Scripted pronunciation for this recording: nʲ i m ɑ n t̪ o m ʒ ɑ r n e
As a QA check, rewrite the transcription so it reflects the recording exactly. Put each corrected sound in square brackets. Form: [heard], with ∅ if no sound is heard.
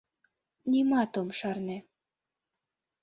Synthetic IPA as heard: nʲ i m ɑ [∅] t̪ o m [ʃ] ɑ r n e